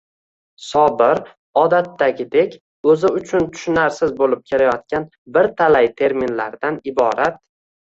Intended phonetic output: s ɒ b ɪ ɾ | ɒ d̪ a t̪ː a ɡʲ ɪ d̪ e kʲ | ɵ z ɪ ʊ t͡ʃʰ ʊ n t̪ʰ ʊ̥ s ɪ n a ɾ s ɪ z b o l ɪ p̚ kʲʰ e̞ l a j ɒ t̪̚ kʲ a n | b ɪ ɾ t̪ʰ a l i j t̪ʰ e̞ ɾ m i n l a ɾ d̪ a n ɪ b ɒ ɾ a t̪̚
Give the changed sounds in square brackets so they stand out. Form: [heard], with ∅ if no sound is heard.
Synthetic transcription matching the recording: s ɒ b ɪ ɾ | ɒ d̪ a t̪ː a ɡʲ ɪ d̪ e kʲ | ɵ z ɪ ʊ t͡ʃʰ ʊ n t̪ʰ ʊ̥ [ʃ] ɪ n a ɾ s ɪ z b o l ɪ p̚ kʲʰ e̞ l a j ɒ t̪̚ kʲ a n | b ɪ ɾ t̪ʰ a l [a] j t̪ʰ e̞ ɾ m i n l a ɾ d̪ a n ɪ b ɒ ɾ a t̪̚